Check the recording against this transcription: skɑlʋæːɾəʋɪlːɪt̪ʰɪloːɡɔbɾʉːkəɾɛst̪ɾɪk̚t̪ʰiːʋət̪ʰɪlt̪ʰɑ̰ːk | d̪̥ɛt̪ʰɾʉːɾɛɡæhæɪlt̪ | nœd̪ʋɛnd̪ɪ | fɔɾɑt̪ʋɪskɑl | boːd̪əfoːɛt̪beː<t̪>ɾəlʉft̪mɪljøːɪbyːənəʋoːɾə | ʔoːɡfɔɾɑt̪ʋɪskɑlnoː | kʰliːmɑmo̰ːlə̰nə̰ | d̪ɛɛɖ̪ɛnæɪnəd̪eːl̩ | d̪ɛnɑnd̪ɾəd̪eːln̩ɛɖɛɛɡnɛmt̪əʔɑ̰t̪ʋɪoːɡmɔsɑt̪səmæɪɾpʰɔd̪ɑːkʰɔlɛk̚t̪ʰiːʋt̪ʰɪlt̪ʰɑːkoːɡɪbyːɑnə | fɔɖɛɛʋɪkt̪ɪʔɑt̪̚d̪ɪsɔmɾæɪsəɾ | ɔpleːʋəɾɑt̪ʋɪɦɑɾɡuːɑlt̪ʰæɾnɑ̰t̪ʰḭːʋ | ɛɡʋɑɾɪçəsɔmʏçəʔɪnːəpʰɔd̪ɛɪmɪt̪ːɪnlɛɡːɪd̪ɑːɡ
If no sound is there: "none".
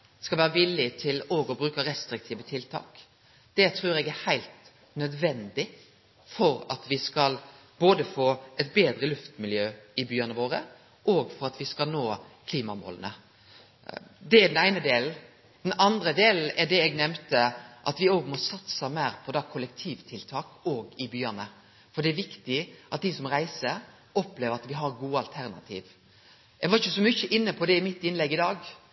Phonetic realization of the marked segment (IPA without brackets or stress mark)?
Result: d̪